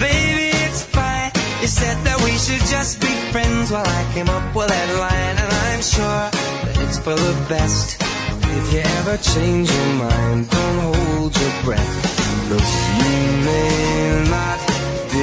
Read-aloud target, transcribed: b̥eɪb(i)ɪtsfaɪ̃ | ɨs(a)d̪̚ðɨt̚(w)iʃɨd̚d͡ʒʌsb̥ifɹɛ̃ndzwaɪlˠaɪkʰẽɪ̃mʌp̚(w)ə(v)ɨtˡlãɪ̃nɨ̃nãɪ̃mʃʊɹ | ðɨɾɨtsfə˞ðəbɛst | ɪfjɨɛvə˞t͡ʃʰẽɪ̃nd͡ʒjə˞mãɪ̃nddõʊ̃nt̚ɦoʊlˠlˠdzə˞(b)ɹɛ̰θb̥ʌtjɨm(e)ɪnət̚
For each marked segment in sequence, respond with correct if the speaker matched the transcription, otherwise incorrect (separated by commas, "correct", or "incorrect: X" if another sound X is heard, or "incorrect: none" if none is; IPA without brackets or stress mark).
correct, incorrect: ɛ, correct, correct, incorrect: ð, correct, correct